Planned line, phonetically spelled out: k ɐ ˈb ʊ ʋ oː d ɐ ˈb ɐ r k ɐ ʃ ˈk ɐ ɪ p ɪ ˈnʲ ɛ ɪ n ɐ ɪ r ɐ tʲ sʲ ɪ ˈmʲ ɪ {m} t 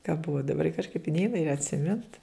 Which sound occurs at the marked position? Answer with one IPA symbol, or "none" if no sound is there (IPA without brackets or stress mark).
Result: n